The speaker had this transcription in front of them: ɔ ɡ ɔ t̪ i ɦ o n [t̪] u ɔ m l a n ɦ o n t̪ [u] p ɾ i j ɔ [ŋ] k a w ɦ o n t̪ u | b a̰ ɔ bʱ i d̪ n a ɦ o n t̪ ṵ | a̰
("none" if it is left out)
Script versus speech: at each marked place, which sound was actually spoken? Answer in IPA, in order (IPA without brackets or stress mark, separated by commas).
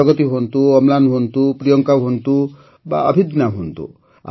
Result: t̪, u, ŋ